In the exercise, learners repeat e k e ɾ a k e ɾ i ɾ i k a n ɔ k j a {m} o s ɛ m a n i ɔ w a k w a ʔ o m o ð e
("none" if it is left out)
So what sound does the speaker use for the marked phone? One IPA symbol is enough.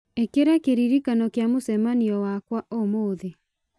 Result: m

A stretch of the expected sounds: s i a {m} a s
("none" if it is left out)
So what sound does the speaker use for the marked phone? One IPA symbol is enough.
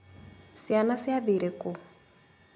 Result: n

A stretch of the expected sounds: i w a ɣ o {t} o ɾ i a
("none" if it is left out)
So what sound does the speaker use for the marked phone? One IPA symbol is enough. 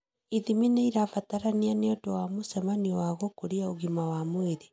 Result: k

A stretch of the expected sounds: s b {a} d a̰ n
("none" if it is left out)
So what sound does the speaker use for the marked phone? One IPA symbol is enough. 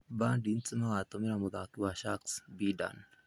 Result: i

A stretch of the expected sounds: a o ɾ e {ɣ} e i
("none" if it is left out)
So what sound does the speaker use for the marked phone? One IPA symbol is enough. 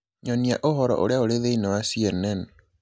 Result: ð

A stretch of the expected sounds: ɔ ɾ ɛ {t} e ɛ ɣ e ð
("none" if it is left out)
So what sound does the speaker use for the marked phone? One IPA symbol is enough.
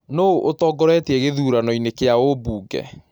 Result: t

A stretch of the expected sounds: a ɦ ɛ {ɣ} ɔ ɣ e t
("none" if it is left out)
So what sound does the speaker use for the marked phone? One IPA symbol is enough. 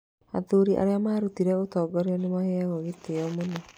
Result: ɣ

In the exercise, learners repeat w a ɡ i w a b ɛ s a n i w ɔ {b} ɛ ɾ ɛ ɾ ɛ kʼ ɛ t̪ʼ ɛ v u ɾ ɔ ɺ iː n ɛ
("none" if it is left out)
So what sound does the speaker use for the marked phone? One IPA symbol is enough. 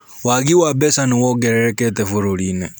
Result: ɡ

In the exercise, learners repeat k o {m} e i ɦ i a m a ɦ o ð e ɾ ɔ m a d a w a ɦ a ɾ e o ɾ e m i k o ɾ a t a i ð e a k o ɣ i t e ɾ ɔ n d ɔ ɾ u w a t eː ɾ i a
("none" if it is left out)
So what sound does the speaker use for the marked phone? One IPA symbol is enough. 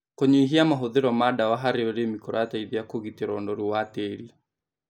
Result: ɲ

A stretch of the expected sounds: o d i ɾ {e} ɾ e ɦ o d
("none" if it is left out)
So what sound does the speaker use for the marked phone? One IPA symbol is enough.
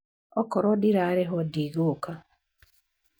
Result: a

